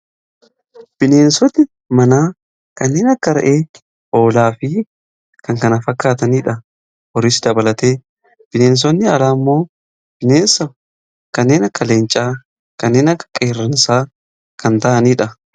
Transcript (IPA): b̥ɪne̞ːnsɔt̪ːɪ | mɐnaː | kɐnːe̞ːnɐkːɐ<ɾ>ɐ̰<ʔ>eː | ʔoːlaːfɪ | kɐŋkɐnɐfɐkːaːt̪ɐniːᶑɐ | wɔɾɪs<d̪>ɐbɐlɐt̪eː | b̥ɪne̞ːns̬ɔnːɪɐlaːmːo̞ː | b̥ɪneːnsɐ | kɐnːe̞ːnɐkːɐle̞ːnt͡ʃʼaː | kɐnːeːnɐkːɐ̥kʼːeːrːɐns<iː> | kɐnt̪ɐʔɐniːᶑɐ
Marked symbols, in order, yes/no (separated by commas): yes, yes, yes, no